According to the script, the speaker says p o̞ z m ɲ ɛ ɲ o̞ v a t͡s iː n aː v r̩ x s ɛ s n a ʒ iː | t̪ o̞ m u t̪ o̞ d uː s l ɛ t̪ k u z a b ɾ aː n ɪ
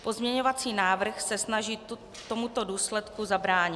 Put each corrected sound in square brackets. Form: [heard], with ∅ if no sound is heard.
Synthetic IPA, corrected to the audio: p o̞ z m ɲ ɛ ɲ o̞ v a t͡s iː n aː v r̩ x s ɛ s n a ʒ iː | t̪ o̞ m u t̪ o̞ d uː s l ɛ t̪ k u z a b ɾ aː [ɲ] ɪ